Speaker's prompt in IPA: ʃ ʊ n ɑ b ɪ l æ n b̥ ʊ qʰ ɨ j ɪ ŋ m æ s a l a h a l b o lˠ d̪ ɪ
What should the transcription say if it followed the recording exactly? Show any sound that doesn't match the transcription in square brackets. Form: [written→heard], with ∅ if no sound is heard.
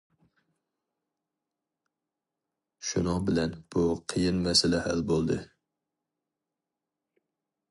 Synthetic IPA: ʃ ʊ n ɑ b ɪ l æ n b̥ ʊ qʰ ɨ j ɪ [ŋ→n] m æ s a l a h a l b o lˠ d̪ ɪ